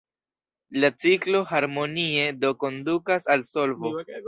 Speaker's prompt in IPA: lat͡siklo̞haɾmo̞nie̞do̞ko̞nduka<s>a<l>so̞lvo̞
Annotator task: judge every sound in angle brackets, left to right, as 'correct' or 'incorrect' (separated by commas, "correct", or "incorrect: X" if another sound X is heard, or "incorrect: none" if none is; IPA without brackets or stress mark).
correct, correct